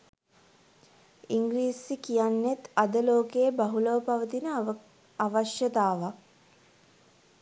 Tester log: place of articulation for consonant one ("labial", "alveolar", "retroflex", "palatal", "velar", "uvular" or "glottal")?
velar